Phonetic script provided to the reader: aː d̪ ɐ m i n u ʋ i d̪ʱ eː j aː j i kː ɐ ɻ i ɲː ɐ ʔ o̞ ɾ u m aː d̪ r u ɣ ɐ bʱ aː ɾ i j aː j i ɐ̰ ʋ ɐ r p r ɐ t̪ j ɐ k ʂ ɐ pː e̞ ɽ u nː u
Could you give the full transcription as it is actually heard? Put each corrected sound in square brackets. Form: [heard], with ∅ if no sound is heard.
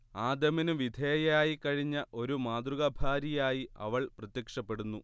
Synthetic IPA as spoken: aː d̪ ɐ m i n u ʋ i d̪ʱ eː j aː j i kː ɐ ɻ i ɲː ɐ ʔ o̞ ɾ u m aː d̪ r u ɣ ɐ bʱ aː ɾ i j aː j i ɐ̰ ʋ ɐ [ɭ] p r ɐ t̪ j ɐ k ʂ ɐ pː e̞ ɽ u nː u